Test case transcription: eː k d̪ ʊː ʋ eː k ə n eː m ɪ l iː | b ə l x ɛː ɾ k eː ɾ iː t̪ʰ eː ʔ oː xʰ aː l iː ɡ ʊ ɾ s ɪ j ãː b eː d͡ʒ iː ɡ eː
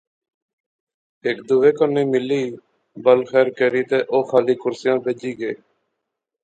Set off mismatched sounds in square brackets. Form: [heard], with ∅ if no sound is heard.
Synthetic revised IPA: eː k d̪ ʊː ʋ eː k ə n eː m ɪ l iː | b ə l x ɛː ɾ k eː ɾ iː [t̪] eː ʔ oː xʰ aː l iː [k] ʊ ɾ s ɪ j ãː b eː d͡ʒ iː ɡ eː